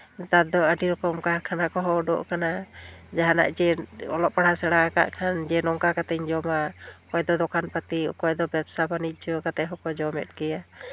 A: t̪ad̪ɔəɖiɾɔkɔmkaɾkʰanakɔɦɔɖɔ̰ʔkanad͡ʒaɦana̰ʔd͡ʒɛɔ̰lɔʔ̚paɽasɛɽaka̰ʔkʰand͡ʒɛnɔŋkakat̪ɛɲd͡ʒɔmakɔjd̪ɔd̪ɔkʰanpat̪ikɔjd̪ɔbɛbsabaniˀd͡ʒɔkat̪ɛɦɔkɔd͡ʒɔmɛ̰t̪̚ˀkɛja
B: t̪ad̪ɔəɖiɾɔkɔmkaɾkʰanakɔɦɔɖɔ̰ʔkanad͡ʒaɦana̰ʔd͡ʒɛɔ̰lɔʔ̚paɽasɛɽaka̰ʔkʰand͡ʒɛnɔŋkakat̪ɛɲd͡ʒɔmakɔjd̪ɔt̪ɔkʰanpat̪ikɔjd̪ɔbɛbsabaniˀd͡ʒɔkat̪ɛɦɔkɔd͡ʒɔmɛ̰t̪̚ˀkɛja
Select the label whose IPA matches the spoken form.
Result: A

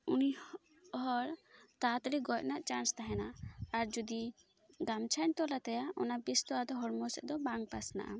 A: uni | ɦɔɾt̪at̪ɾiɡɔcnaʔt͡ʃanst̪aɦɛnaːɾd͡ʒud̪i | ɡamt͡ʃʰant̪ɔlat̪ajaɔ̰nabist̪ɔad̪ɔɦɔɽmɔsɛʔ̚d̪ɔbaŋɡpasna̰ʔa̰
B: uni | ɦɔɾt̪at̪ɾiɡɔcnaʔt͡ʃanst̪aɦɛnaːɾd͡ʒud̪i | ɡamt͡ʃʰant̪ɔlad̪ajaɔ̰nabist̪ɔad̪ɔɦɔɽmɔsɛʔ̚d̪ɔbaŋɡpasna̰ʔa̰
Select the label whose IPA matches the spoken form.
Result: A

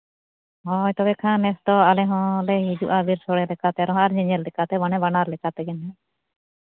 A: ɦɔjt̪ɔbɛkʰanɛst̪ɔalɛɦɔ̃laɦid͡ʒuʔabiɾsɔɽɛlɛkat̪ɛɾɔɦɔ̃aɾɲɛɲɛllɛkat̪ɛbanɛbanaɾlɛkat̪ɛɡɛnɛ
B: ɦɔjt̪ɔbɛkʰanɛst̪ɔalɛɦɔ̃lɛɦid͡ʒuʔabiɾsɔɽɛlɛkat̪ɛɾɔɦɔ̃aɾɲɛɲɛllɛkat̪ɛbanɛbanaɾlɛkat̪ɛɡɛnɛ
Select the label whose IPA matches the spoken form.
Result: B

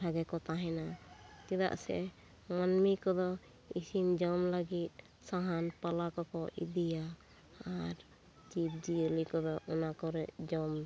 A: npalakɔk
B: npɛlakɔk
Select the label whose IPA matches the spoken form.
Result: A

